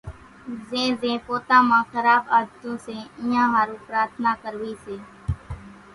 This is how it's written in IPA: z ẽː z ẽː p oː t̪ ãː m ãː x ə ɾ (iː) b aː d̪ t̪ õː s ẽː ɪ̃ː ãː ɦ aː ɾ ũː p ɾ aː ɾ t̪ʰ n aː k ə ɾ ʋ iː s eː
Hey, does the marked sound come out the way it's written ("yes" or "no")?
no